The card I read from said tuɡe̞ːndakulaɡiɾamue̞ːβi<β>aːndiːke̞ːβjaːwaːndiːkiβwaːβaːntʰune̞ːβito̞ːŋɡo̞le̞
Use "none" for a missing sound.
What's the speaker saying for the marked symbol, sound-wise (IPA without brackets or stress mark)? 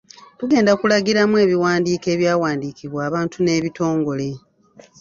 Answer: w